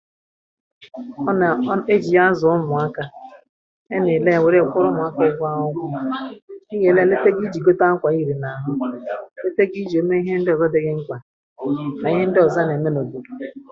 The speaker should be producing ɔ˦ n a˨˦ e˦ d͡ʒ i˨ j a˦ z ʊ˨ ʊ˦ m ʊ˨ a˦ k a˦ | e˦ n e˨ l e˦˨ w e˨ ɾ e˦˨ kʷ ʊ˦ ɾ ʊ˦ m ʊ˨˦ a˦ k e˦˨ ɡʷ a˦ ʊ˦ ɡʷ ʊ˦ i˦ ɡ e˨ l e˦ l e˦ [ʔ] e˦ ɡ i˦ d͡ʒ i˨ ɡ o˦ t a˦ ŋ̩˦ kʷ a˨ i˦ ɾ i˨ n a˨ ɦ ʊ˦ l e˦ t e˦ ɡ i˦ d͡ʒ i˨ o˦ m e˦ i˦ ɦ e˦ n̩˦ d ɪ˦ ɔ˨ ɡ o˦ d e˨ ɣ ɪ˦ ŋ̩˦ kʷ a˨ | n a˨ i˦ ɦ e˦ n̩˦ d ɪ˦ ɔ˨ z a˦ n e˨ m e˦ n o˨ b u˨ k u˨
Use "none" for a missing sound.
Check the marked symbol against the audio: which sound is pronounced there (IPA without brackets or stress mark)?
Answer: t